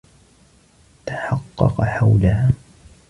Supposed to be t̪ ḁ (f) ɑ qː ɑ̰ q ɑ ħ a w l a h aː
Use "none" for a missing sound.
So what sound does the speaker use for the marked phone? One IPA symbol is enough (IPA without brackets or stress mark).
ħ